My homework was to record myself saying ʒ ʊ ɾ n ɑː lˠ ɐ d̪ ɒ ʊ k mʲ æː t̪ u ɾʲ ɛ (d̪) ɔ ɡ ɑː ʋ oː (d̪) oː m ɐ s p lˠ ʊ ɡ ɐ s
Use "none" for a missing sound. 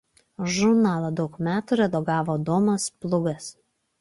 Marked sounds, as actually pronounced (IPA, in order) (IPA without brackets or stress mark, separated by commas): d̪, d̪